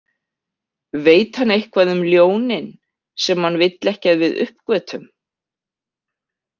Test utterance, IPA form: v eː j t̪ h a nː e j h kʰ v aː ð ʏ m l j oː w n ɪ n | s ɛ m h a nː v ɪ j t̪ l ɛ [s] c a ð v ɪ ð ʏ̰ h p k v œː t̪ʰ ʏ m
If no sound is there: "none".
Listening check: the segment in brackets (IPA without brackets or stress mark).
h